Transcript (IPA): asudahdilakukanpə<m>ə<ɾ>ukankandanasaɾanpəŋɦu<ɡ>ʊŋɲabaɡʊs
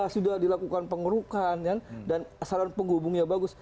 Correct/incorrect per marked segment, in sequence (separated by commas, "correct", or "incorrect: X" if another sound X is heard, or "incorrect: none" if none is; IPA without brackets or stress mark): incorrect: ŋ, correct, incorrect: b